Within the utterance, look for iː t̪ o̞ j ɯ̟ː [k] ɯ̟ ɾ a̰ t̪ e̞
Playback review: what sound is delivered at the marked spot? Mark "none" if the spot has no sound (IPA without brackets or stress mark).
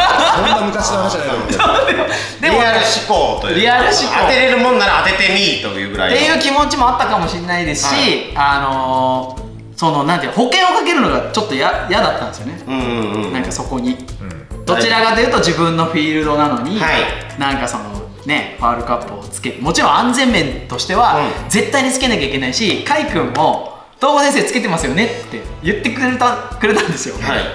ɡ